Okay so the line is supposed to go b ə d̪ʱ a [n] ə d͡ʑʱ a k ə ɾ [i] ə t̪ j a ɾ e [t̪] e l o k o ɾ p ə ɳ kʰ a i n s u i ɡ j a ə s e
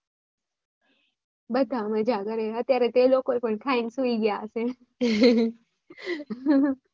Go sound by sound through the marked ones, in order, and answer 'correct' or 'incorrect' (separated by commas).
incorrect, incorrect, correct